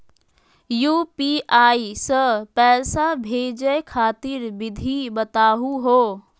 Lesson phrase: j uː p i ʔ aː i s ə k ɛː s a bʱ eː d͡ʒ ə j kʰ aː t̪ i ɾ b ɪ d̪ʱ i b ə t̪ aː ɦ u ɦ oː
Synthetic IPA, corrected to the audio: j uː p i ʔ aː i s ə p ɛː s a bʱ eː d͡ʒ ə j kʰ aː t̪ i ɾ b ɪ d̪ʱ i b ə t̪ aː ɦ u ɦ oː

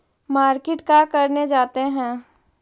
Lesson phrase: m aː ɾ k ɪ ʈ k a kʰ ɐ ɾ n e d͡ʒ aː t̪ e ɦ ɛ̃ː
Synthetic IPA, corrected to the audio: m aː ɾ k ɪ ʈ k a k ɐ ɾ n e d͡ʒ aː t̪ e ɦ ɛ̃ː

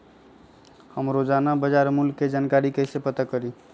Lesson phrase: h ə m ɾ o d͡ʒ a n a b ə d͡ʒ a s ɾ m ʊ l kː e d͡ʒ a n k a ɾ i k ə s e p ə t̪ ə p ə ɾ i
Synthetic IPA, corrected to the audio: h ə m ɾ o d͡ʒ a n a b ə d͡ʒ a ɾ m u l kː e d͡ʒ a n k a ɾ i k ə s e p ə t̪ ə k ə ɾ i

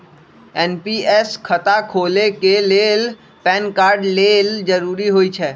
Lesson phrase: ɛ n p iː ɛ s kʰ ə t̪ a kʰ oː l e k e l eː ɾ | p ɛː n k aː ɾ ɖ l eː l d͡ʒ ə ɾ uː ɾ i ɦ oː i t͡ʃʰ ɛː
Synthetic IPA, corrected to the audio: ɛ n p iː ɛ s kʰ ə t̪ a kʰ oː l e k e l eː l | p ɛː n k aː ɾ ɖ l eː l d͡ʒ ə ɾ uː ɾ i ɦ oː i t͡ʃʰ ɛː

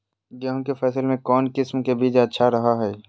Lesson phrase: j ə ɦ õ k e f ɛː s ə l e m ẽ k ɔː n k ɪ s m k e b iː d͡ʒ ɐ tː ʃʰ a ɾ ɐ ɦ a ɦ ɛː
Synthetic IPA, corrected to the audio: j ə ɦ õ k e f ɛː s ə l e m ẽ k ɔː n k ɪ s m k e b iː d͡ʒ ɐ tː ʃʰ a ɾ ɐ ɦ a ɦ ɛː

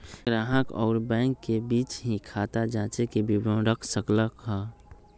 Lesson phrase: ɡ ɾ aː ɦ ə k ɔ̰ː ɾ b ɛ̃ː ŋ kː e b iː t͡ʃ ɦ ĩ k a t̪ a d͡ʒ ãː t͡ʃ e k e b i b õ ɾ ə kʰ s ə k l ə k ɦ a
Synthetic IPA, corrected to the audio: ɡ ɾ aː ɦ ə k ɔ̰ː ɾ b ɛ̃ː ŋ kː e b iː t͡ʃ ɦ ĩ kʰ a t̪ a d͡ʒ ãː t͡ʃ e k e b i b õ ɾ ə kʰ s ə k l ə k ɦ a

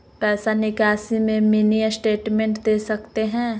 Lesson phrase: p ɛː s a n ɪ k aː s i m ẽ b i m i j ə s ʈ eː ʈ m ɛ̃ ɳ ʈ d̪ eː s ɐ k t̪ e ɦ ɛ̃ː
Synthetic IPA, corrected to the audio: p ɛː s a n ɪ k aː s i m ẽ m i n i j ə s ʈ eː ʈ m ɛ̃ ɳ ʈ d̪ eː s ɐ k t̪ e ɦ ɛ̃ː

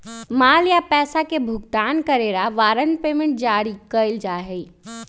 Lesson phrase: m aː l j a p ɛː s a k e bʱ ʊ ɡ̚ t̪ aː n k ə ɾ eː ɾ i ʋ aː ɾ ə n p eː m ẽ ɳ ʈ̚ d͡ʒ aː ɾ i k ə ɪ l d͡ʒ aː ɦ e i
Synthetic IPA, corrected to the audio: m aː l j a p ɛː s a k e bʱ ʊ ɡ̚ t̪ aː n k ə ɾ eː ɾ a ʋ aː ɾ ə n p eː m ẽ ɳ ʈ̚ d͡ʒ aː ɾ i k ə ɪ l d͡ʒ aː ɦ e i

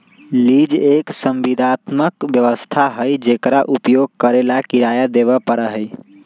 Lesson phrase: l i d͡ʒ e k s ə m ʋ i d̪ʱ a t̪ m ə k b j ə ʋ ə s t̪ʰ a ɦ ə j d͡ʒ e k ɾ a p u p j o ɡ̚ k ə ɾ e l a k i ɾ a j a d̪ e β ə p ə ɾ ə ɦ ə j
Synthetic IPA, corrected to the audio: l i d͡ʒ e k s ə m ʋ i d̪ʱ a t̪ m ə k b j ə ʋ ə s t̪ʰ a ɦ ə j d͡ʒ e k ɾ a ʔ u p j o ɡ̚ k ə ɾ e l a k i ɾ a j a d̪ e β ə p ə ɾ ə ɦ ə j

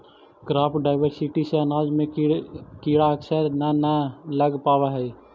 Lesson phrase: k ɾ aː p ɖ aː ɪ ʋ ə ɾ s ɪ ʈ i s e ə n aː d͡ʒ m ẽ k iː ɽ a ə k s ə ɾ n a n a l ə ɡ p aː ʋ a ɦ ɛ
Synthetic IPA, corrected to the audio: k ɾ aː p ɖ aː ɪ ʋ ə ɾ s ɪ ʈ i s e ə n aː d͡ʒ m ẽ k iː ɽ a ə k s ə ɾ n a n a l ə ɡ p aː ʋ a ɦ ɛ

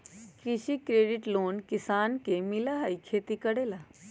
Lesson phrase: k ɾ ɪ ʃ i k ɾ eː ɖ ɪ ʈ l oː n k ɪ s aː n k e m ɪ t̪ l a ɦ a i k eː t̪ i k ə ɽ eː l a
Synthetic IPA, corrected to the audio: k ɾ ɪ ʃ i k ɾ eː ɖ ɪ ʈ l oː n k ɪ s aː n k e m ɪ l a ɦ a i kʰ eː t̪ i k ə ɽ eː l a

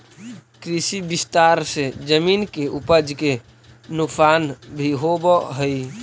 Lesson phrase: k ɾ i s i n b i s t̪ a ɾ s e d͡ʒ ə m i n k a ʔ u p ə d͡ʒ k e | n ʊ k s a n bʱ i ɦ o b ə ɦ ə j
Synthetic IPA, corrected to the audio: k ɾ i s i b i s t̪ a ɾ s e d͡ʒ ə m i n k e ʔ u p ə d͡ʒ k e | n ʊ k s a n bʱ i ɦ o b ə ɦ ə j

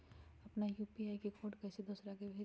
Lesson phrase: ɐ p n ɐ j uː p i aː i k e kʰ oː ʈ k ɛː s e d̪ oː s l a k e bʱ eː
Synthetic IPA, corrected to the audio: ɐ p n a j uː p i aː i k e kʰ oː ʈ k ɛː s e d̪ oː s ɾ a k e bʱ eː

